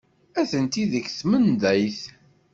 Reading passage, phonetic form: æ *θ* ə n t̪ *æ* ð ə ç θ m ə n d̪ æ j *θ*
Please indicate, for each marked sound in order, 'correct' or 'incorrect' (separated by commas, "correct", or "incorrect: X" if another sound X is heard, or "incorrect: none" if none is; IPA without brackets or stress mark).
correct, incorrect: i, correct